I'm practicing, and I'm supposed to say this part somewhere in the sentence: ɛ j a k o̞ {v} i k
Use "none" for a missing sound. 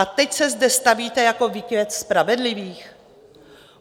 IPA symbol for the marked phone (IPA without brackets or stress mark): v